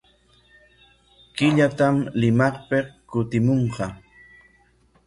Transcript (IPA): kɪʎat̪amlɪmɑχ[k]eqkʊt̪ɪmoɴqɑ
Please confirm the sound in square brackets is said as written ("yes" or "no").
no